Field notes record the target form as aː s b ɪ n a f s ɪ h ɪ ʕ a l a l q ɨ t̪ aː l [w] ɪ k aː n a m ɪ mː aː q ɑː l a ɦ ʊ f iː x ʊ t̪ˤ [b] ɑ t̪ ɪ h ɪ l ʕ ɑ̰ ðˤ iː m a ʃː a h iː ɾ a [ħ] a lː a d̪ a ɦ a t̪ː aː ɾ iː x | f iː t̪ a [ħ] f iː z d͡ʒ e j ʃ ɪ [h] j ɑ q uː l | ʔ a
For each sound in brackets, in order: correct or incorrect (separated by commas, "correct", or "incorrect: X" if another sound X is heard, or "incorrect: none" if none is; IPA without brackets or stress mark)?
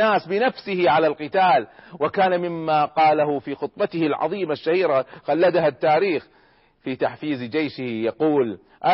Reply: correct, correct, incorrect: x, correct, correct